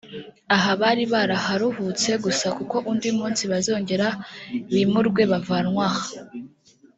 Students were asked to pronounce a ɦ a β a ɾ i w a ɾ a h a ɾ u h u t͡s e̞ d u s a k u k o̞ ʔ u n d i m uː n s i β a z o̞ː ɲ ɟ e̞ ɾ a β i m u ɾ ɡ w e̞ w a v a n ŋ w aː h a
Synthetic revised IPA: a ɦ a β a ɾ i β a ɾ a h a ɾ u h u t͡s e̞ ɡ u s a k u k o̞ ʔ u n d i m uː n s i β a z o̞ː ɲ ɟ e̞ ɾ a β i m u ɾ ɡ w e̞ β a v a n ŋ w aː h a

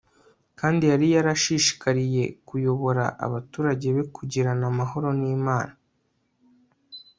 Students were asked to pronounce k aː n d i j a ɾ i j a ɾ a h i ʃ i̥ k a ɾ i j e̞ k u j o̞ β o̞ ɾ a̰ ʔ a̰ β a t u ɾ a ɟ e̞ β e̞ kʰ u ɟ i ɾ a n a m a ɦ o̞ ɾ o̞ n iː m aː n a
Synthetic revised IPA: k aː n d i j a ɾ i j a ɾ a ʃ i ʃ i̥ k a ɾ i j e̞ k u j o̞ β o̞ ɾ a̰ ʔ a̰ β a t uː ɾ a ɟ e̞ β e̞ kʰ u ɟ i ɾ a n a m a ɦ o̞ ɾ o̞ n iː m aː n a

